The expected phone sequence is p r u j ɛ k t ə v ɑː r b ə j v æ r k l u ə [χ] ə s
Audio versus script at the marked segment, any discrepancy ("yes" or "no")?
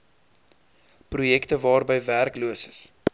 yes